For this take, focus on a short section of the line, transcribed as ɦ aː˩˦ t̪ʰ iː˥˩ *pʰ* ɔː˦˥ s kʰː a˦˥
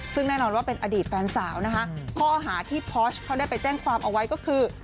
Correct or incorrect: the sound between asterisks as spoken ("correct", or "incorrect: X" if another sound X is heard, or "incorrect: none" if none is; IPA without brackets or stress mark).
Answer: correct